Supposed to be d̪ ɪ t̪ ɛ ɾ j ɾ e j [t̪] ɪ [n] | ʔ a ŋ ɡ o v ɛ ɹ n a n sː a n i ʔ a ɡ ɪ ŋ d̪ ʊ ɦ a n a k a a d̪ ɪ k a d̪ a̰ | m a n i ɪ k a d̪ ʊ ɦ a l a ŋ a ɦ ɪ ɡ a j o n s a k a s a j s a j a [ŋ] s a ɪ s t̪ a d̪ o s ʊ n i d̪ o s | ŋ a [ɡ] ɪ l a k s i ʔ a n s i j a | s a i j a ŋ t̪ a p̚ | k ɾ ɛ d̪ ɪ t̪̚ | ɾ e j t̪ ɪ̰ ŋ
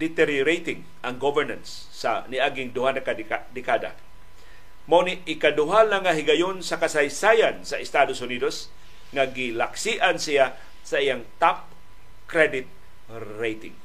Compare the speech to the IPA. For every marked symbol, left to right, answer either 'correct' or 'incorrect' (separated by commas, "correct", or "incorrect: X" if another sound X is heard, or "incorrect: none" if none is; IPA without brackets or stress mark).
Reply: correct, incorrect: ŋ, incorrect: n, correct